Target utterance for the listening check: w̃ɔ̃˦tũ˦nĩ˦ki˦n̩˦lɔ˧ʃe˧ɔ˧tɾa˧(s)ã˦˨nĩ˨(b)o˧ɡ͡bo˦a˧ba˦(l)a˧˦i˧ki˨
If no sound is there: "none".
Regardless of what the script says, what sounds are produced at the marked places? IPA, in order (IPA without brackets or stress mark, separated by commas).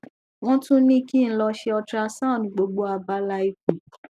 s, ɡ͡b, l